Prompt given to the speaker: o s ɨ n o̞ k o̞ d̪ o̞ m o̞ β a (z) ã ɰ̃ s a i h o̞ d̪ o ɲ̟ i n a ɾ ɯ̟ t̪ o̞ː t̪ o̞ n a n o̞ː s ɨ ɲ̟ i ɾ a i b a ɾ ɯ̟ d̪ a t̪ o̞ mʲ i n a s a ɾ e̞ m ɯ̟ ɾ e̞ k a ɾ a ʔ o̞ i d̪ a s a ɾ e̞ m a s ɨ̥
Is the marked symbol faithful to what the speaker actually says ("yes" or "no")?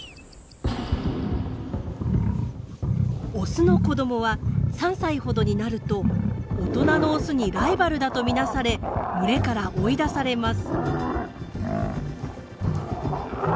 no